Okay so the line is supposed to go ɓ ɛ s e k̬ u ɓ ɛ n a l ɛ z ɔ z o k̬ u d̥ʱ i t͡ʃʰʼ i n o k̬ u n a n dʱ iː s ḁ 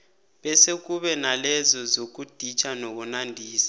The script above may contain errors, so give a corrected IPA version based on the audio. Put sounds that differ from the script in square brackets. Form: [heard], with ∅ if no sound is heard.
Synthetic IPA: ɓ ɛ s e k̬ u ɓ ɛ n a l ɛ z ɔ z o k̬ u d̥ʱ i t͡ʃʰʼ [a] n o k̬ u n a n dʱ iː s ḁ

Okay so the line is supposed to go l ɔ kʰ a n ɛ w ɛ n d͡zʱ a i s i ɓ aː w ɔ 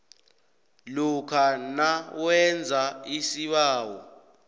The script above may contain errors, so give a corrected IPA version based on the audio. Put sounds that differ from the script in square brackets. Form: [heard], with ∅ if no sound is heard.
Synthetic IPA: l [u] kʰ a n [a] w ɛ n d͡zʱ a i s i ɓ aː w ɔ

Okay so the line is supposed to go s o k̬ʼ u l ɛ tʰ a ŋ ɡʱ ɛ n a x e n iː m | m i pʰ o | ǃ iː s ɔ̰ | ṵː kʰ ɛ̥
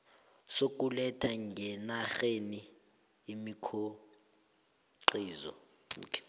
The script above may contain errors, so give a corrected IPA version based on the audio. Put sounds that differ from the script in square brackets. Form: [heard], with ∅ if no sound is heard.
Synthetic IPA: s o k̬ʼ u l ɛ tʰ a ŋ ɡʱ ɛ n a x e n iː [∅] | m i [kʰ] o | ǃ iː [z] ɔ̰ | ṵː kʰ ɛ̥

